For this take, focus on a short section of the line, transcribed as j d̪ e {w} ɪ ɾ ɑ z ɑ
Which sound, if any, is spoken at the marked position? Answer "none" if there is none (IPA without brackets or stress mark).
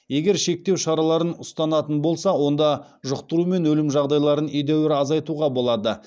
w